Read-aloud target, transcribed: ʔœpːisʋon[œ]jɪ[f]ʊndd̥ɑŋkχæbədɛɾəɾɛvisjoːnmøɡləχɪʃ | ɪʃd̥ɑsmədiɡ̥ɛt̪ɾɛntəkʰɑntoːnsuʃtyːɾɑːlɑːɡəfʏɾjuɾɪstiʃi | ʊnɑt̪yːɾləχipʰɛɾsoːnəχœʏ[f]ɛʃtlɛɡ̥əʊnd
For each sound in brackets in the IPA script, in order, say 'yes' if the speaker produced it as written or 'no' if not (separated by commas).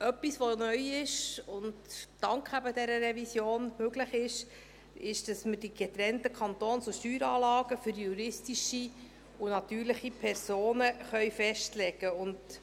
yes, no, yes